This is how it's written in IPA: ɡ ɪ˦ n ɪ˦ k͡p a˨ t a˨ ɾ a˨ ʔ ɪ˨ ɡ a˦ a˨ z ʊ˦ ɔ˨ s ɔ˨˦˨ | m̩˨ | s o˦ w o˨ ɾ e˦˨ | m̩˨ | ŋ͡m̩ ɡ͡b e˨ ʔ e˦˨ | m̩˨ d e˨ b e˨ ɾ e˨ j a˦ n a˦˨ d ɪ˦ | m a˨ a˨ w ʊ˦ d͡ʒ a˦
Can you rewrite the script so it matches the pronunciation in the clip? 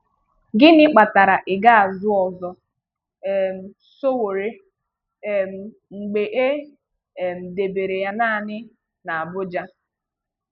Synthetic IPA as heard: ɡ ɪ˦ n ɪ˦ k͡p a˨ t a˨ ɾ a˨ ʔ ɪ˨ ɡ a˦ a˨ z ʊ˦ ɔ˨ z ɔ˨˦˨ | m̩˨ | s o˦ w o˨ ɾ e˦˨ | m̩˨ | ŋ͡m̩ ɡ͡b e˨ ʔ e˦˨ | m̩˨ d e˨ b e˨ ɾ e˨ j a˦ n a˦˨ n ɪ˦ | n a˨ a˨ b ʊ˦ d͡ʒ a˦